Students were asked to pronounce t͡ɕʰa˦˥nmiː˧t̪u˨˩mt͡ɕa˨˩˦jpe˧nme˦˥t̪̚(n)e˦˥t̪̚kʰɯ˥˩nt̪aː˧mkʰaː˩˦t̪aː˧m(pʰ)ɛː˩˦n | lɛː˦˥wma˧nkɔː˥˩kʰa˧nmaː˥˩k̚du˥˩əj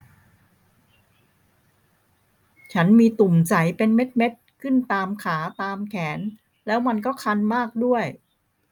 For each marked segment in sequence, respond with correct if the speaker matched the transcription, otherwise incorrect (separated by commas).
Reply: incorrect, incorrect